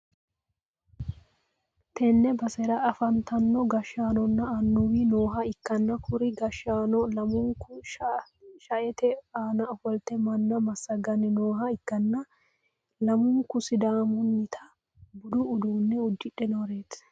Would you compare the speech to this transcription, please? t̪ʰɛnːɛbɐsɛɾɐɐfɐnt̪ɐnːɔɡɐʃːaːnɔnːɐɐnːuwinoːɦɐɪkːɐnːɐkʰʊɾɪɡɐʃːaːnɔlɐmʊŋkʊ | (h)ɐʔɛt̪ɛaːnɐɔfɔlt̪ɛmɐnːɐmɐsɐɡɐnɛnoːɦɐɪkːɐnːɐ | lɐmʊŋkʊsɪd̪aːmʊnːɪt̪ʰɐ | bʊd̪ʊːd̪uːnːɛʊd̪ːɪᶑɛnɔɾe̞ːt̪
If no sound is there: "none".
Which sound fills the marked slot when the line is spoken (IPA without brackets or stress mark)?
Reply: ʃ